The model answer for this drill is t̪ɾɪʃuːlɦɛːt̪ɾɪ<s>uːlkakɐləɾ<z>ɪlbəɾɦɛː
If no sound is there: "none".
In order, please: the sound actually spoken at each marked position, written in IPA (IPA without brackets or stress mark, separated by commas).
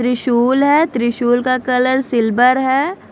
ʃ, s